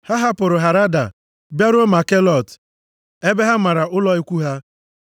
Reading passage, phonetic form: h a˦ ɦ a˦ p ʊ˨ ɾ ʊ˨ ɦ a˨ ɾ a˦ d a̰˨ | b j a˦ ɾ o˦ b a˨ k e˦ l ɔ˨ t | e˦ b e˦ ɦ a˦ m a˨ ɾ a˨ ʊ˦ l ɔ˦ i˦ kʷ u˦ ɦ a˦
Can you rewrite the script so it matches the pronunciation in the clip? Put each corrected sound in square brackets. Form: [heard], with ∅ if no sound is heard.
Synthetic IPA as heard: h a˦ ɦ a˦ p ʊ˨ ɾ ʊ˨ ɦ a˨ ɾ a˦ d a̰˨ | b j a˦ ɾ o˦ [m] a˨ k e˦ l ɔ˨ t | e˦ b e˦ ɦ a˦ m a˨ ɾ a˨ ʊ˦ l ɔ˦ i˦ kʷ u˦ ɦ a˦